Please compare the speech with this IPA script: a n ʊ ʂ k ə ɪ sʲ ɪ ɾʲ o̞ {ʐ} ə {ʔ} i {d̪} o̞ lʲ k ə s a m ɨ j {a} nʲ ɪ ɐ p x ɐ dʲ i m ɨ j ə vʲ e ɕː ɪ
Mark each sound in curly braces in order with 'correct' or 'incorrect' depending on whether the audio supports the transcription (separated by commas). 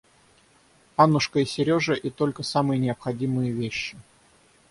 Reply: correct, correct, incorrect, incorrect